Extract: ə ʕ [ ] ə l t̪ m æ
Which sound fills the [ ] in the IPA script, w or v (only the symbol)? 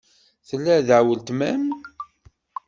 w